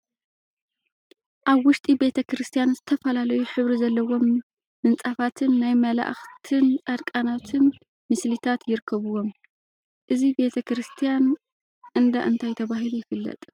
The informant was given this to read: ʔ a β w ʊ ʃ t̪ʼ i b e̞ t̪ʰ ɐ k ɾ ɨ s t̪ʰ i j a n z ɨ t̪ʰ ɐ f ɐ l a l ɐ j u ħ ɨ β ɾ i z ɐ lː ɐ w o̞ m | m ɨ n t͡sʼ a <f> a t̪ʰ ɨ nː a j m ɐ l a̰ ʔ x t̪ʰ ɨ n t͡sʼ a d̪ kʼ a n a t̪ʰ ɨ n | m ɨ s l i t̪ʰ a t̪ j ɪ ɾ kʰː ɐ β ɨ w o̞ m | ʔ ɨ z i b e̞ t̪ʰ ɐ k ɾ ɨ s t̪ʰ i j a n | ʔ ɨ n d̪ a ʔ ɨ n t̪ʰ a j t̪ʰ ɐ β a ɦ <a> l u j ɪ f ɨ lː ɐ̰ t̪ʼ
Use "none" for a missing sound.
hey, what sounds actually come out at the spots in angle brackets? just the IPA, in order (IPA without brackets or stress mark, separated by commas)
f, i